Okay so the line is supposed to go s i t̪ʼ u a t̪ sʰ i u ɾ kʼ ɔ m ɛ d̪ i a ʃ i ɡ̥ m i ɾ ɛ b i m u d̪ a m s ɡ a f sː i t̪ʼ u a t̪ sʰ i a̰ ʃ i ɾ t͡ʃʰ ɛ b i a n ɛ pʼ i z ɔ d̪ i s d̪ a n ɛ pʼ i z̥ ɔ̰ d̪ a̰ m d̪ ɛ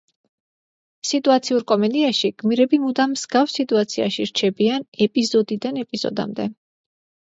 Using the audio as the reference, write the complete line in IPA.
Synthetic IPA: s i t̪ʼ u a t̪ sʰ i u ɾ kʼ ɔ m ɛ d̪ i a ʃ i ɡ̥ m i ɾ ɛ b i m u d̪ a m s ɡ a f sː i t̪ʼ u a t̪ sʰ i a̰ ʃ i ɾ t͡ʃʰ ɛ b i a n ɛ pʼ i z ɔ d̪ i d̪ a n ɛ pʼ i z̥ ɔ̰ d̪ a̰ m d̪ ɛ